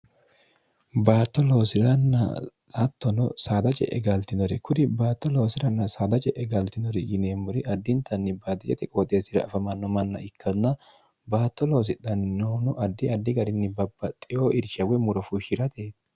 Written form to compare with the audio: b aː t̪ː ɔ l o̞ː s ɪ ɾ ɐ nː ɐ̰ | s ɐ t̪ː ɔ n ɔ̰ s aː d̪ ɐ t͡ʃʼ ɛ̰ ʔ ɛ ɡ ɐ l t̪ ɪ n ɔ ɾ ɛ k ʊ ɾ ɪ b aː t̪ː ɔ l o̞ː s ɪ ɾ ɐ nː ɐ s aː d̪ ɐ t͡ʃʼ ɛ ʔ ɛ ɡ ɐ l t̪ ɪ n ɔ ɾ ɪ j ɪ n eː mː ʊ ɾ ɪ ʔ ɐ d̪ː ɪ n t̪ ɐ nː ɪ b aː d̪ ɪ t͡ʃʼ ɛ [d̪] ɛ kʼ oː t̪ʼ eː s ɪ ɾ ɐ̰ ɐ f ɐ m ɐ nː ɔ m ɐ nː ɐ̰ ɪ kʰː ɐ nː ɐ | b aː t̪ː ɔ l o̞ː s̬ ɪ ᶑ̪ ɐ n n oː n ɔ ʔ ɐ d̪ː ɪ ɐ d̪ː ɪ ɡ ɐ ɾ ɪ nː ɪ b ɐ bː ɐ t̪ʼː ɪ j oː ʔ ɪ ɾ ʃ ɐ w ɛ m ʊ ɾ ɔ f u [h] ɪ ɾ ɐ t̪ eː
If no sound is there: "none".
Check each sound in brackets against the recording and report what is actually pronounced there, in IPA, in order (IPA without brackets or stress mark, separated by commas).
t̪, ʃ